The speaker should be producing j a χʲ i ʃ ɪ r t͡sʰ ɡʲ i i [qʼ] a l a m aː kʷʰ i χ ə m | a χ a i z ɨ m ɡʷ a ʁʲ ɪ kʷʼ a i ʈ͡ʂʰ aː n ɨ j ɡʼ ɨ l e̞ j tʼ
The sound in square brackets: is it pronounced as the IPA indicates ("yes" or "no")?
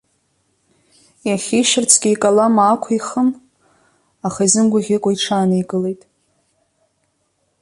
no